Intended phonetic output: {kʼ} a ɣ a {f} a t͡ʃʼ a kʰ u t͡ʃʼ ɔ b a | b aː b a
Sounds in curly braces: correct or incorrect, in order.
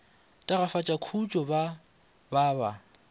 incorrect, correct

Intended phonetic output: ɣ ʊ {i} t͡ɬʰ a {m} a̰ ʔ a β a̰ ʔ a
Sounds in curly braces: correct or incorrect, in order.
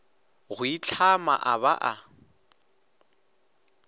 correct, correct

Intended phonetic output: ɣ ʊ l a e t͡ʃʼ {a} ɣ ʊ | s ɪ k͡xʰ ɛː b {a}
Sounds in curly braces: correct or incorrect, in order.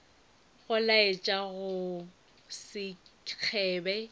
correct, incorrect

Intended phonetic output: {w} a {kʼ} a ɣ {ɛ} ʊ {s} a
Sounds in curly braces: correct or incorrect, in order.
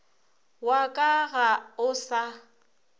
correct, correct, incorrect, correct

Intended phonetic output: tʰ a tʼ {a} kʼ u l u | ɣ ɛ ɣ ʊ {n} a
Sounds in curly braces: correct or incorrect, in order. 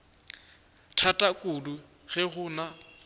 correct, correct

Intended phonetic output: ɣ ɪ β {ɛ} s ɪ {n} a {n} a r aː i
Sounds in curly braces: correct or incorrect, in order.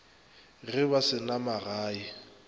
incorrect, correct, incorrect

